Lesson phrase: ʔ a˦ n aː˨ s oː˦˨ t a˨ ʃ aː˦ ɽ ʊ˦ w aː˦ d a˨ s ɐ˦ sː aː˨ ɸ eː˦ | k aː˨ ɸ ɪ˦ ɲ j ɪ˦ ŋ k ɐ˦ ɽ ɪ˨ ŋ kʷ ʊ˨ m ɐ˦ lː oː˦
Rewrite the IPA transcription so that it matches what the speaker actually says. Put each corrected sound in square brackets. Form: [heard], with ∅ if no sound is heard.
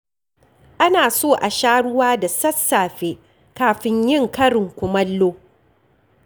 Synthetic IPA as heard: ʔ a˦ n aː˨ s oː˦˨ [ʔ] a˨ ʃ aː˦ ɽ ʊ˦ w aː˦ d a˨ s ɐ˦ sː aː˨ ɸ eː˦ | k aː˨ ɸ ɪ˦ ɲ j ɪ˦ ŋ k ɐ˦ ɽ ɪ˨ ŋ kʷ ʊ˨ m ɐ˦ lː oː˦